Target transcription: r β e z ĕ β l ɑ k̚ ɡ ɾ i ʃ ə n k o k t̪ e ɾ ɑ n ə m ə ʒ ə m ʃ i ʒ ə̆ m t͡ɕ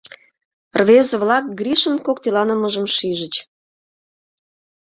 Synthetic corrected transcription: r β e z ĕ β l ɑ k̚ ɡ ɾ i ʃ ə n k o k t̪ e l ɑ n ə m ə ʒ ə m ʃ i ʒ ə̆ t͡ɕ